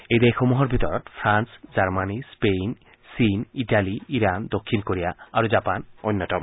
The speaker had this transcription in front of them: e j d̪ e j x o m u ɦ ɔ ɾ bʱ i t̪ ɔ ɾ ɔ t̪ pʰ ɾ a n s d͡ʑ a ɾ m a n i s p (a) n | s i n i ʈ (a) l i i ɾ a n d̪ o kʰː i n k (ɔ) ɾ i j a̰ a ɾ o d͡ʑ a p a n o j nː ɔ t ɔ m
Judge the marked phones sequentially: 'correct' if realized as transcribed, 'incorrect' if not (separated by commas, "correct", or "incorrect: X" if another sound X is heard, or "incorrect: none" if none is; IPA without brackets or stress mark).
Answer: incorrect: e, correct, incorrect: o